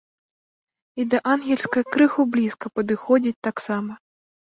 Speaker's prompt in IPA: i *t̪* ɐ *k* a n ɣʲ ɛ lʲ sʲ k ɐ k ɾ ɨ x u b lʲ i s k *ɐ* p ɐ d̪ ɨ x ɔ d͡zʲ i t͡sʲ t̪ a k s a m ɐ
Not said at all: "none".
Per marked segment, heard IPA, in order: d̪, ʔ, ɐ

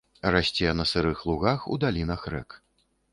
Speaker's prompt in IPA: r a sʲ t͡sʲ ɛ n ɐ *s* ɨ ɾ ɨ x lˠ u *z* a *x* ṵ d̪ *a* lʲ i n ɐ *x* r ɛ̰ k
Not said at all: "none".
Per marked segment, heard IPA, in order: s, ɣ, x, a, x

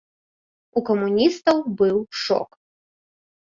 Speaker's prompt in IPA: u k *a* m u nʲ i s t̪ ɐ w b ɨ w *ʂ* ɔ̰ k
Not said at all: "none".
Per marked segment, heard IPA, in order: ɐ, ʂ

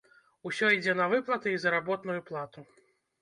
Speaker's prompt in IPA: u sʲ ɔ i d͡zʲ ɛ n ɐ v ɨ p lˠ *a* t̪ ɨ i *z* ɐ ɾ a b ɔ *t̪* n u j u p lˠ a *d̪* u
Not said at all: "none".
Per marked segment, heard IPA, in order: ɐ, z, t̪, t̪

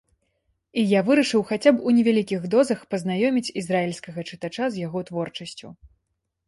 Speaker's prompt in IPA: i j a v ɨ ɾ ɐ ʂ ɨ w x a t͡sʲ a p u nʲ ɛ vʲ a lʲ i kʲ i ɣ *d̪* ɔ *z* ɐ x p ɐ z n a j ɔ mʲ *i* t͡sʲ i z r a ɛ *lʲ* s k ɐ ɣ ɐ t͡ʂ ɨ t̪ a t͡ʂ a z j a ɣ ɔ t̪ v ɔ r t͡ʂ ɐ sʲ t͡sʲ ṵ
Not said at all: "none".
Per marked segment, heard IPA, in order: d̪, z, i, lʲ

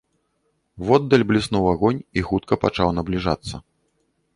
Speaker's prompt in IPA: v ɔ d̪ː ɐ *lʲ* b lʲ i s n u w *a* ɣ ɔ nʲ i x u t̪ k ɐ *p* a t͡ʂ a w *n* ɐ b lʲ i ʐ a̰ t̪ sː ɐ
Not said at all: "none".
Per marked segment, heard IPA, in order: lʲ, a, p, n

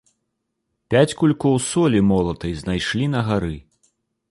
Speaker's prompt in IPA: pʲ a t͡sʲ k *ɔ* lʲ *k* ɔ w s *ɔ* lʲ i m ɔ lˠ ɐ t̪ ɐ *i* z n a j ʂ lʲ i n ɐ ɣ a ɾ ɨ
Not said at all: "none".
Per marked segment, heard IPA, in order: u, k, ɔ, j

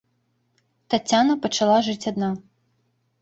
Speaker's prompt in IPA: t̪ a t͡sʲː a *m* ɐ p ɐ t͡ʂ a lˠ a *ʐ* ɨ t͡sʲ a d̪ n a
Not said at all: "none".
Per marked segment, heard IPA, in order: n, ʐ

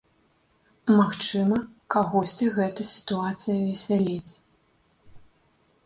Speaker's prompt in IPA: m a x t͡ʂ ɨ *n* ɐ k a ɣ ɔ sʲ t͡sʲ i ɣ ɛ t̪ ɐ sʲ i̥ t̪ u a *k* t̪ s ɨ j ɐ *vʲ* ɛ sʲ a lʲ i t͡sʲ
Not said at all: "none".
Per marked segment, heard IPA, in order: m, none, vʲ

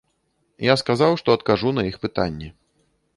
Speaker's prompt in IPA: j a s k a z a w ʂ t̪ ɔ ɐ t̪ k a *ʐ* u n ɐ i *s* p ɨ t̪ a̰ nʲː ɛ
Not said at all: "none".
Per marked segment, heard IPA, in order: ʐ, x

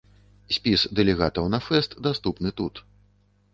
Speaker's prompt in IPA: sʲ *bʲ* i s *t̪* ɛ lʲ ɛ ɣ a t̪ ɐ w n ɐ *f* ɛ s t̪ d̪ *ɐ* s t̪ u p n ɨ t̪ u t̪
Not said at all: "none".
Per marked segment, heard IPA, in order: pʲ, d̪, f, a

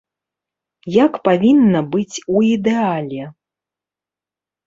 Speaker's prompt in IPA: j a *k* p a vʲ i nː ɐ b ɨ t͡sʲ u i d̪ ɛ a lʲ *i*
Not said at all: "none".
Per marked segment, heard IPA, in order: k, ɛ

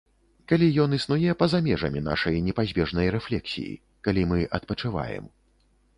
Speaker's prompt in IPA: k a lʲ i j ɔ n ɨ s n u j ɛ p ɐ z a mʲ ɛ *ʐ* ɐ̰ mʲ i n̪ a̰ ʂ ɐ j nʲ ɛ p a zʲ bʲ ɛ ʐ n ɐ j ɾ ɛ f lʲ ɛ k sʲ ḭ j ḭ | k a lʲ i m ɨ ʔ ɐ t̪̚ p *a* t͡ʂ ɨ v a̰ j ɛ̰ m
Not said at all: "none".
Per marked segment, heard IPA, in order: ʐ, ɐ

